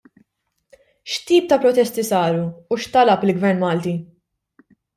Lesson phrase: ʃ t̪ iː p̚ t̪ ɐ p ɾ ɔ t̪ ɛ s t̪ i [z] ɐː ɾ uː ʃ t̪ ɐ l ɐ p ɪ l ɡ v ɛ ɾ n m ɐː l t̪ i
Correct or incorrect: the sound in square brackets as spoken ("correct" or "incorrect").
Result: incorrect